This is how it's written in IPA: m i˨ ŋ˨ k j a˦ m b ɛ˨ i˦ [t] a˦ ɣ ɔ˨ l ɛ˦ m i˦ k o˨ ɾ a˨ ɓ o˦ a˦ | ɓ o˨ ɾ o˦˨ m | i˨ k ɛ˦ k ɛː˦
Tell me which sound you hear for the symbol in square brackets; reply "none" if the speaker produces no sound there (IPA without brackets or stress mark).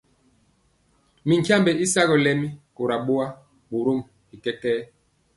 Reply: s